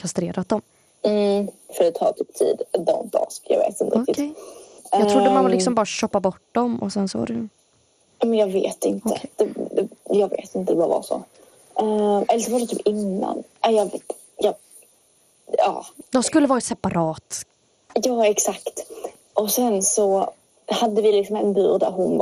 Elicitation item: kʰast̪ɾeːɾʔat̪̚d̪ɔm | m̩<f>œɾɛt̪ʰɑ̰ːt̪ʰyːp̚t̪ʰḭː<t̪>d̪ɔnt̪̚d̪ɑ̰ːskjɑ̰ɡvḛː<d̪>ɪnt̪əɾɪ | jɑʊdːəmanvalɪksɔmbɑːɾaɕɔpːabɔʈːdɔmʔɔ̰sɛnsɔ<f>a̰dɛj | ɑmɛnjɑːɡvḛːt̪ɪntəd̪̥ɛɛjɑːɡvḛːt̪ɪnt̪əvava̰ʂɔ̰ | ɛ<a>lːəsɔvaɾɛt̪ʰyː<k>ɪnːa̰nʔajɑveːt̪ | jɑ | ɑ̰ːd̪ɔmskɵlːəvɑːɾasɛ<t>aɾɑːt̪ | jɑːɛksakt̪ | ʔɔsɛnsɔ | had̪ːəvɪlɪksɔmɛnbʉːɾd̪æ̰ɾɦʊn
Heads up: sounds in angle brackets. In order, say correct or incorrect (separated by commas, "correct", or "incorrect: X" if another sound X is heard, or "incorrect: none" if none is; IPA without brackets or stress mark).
correct, incorrect: d̪, incorrect: t̪, incorrect: v, incorrect: ɛ, incorrect: p, incorrect: p